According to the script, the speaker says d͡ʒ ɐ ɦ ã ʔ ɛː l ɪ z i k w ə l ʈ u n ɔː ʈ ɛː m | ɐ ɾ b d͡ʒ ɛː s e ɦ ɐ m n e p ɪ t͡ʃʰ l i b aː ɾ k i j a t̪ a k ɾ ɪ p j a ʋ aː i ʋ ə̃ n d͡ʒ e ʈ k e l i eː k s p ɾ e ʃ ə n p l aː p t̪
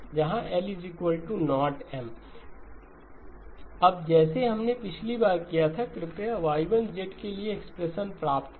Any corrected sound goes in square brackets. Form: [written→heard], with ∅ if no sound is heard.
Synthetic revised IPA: d͡ʒ ɐ ɦ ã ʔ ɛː l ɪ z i k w ə l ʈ u n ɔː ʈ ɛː m | ɐ [ɾ→∅] b d͡ʒ ɛː s e ɦ ɐ m n e p ɪ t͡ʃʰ l i b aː ɾ k i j a [t̪→t̪ʰ] a k ɾ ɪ p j a ʋ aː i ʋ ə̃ n d͡ʒ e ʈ k e l i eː k s p ɾ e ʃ ə n p [l→ɾ] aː p t̪